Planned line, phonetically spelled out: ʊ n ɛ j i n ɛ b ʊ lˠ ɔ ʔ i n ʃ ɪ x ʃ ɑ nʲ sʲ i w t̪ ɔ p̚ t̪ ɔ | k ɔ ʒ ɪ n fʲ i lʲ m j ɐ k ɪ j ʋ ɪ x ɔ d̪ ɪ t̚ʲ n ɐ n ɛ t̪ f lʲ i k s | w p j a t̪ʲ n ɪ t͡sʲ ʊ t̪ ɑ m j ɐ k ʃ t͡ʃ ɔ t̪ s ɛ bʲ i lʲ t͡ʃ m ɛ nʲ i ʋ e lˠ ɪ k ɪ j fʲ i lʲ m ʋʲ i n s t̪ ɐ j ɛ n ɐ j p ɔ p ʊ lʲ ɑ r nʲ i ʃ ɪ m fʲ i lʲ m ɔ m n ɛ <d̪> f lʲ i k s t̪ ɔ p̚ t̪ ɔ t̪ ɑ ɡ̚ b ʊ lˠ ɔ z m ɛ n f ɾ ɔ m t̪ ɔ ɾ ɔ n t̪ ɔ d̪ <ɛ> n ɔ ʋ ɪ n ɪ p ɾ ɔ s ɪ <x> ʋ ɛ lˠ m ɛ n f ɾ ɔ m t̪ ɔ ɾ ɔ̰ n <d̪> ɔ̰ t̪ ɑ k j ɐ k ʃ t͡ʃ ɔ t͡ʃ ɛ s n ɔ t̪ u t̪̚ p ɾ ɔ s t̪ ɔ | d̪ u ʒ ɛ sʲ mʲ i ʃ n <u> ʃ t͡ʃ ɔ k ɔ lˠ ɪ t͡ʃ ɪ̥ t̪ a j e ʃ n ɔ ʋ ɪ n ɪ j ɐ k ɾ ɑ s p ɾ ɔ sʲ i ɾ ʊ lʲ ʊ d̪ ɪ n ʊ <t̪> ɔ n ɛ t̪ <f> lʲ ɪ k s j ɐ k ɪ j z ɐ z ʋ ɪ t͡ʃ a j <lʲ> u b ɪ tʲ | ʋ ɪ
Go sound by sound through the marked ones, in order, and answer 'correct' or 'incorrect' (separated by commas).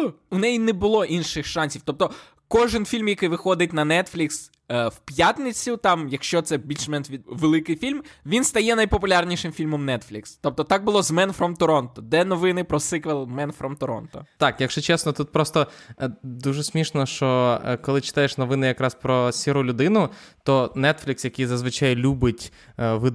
incorrect, correct, incorrect, incorrect, incorrect, correct, correct, correct